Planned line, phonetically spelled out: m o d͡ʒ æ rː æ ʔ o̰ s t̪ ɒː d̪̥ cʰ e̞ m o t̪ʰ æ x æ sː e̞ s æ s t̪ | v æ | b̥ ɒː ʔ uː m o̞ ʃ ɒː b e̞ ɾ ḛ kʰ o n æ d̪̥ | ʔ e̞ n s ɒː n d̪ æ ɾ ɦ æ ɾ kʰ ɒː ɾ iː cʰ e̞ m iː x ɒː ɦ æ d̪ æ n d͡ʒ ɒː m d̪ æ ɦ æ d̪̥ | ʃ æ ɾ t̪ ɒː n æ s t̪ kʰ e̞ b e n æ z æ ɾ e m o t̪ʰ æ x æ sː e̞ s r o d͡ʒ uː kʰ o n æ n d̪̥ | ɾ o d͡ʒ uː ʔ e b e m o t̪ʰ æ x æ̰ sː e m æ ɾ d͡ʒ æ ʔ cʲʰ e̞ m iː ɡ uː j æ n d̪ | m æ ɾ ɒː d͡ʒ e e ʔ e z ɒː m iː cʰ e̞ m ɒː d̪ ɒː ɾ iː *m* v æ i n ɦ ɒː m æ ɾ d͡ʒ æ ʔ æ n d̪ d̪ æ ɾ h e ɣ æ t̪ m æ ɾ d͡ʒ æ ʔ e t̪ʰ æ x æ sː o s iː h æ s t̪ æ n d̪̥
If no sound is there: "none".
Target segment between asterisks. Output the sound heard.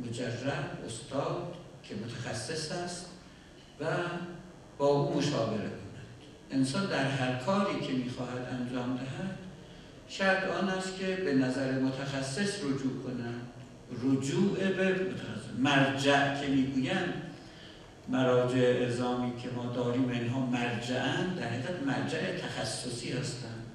m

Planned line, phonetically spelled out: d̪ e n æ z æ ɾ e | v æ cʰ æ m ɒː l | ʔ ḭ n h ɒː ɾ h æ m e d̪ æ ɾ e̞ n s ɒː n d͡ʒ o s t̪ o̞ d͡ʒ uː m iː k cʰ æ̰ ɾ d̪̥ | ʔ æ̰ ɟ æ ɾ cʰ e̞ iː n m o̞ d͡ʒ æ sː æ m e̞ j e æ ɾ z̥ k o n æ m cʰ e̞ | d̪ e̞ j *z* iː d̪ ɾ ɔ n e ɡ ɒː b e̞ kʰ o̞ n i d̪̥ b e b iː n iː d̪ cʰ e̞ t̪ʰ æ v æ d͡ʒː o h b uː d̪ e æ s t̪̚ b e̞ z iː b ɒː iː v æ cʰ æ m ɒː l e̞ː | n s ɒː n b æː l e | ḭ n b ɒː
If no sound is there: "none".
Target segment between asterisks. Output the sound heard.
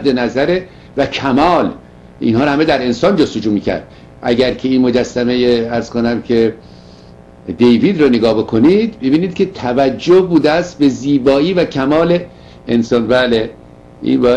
v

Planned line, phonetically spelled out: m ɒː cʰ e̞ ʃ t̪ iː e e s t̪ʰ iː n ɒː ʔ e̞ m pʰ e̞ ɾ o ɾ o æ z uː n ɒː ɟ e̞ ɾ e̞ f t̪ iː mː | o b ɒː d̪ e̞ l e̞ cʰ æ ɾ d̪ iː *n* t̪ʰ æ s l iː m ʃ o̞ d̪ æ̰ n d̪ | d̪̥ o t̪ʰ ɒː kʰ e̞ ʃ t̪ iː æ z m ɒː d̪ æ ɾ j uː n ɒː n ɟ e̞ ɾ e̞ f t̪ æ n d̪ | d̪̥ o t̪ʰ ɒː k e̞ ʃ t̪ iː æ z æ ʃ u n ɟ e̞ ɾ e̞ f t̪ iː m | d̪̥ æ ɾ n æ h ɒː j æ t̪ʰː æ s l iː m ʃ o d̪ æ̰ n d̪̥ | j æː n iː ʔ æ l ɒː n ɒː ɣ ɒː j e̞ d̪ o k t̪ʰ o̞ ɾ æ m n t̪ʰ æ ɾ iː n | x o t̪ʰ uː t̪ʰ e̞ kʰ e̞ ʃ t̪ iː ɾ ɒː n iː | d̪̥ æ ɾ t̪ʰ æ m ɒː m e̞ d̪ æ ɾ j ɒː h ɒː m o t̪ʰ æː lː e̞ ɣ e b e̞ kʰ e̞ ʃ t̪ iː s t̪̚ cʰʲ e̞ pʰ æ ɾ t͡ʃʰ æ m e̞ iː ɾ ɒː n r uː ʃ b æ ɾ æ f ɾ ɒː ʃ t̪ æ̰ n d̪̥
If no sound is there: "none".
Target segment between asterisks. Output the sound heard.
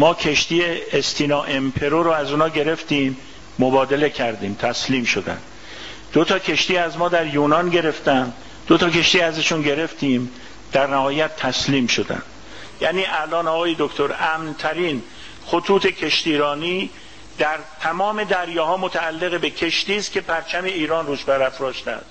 m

